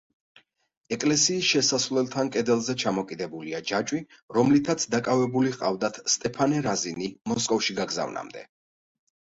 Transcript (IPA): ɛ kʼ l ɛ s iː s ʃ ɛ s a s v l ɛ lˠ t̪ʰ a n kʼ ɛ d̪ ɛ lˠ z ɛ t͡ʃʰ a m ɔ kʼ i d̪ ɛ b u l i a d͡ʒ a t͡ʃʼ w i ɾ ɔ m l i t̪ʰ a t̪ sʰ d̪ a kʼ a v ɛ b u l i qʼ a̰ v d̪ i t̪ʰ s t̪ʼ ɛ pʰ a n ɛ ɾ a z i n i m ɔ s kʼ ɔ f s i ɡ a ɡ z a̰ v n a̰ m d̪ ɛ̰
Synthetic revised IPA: ɛ kʼ l ɛ s iː s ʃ ɛ s a s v l ɛ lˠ t̪ʰ a n kʼ ɛ d̪ ɛ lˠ z ɛ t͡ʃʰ a m ɔ kʼ i d̪ ɛ b u l i a d͡ʒ a t͡ʃʼ w i ɾ ɔ m l i t̪ʰ a t̪ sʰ d̪ a kʼ a v ɛ b u l i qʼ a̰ v d̪ a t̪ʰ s t̪ʼ ɛ pʰ a n ɛ ɾ a z i n i m ɔ s kʼ ɔ f ʃ i ɡ a ɡ z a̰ v n a̰ m d̪ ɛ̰